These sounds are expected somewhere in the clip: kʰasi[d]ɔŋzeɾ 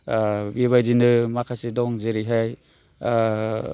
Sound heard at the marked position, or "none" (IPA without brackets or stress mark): d